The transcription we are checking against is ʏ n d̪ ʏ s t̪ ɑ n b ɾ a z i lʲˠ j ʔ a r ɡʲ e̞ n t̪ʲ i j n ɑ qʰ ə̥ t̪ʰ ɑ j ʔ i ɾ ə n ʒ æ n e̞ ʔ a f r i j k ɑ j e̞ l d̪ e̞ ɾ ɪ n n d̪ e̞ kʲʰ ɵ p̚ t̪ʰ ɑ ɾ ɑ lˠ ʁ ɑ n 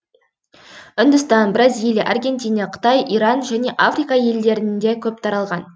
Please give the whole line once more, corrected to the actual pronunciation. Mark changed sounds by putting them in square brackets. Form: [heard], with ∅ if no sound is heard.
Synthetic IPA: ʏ n d̪ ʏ s t̪ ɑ n b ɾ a z i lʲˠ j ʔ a r ɡʲ e̞ n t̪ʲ i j n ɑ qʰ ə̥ [t̪] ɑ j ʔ i ɾ [ɑ] n ʒ æ n e̞ ʔ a f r i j k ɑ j e̞ l d̪ e̞ ɾ ɪ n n d̪ e̞ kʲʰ ɵ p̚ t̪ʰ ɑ ɾ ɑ lˠ ʁ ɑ n